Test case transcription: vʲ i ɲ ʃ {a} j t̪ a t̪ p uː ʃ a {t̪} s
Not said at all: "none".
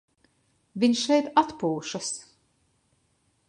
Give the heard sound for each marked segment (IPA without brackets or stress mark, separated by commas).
ɛ, none